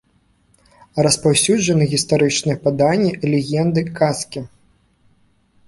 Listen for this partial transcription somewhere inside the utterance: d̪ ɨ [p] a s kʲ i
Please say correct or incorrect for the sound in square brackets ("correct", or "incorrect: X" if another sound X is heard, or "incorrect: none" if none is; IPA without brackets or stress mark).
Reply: incorrect: k